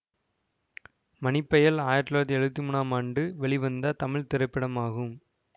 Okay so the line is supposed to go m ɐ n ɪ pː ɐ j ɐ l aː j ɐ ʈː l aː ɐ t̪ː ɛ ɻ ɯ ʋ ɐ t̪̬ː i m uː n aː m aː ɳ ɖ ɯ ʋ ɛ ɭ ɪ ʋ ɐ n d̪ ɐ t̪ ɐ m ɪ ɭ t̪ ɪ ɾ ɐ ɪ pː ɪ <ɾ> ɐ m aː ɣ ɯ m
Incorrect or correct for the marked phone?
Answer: incorrect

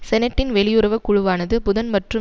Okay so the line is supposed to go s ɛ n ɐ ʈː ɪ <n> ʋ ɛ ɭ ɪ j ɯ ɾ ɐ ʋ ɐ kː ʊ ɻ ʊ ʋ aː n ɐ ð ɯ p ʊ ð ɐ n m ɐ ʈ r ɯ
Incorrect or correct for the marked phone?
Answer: correct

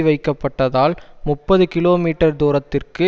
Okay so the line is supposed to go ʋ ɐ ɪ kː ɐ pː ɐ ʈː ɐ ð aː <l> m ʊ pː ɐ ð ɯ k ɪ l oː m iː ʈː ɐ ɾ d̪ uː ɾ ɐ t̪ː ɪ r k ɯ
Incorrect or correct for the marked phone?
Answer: correct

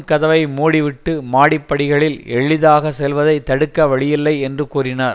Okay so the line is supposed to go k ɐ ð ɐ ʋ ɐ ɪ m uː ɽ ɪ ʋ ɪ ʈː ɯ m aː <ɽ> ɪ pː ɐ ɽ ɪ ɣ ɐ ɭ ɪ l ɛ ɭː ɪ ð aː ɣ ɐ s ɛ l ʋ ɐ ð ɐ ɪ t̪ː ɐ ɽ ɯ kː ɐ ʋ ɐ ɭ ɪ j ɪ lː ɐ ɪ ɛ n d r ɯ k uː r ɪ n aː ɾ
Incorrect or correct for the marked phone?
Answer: correct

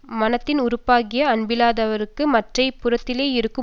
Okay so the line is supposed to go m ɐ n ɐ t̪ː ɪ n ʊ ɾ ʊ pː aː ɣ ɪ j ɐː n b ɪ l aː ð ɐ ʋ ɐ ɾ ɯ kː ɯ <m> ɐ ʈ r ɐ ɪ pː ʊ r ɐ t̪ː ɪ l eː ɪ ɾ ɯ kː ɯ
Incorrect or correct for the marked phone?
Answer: correct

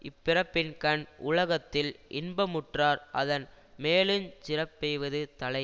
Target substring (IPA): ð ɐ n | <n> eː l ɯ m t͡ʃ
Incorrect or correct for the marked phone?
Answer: incorrect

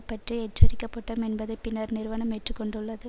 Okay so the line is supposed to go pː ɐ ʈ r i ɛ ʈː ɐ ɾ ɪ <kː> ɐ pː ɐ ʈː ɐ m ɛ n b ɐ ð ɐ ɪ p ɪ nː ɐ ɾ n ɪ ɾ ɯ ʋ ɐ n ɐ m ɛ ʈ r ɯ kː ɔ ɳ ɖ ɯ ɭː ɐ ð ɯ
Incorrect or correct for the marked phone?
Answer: correct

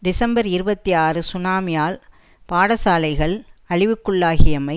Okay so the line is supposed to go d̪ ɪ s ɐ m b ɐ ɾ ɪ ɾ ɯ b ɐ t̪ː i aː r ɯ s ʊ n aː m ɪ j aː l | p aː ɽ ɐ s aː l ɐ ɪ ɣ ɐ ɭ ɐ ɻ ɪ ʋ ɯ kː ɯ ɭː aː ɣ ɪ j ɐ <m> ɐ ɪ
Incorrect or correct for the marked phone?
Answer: correct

